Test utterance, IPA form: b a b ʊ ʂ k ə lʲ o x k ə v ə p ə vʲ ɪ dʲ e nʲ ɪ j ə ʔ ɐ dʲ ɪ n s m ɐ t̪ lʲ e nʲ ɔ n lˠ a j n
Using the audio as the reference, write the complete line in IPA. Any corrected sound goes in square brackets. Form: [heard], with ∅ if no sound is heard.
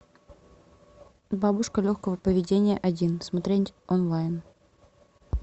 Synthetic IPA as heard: b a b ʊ ʂ k ə lʲ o x k ə v ə p ə vʲ ɪ dʲ e nʲ ɪ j ə ʔ ɐ dʲ [i] n s m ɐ t̪ [ɾʲ] e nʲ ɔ n lˠ a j n